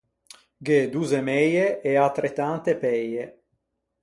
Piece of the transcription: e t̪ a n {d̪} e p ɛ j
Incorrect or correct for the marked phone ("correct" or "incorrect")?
incorrect